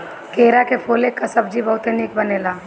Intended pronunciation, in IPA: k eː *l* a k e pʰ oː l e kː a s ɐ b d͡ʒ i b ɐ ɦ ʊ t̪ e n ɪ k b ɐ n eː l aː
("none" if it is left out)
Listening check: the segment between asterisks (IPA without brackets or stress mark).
ɾ